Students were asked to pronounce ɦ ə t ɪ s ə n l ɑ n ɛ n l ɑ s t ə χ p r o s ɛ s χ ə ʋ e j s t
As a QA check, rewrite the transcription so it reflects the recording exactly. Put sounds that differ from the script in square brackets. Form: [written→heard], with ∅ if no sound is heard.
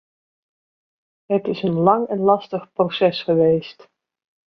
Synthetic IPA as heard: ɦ ə t ɪ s ə n l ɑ [n→ŋ] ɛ n l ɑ s t ə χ p r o s ɛ s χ ə ʋ e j s t